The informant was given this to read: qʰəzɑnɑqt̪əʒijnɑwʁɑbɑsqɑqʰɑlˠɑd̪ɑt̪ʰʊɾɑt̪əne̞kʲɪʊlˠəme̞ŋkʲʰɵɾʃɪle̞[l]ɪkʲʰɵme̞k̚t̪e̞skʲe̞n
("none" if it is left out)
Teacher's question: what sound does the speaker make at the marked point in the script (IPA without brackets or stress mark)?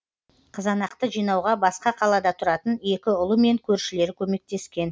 ɾ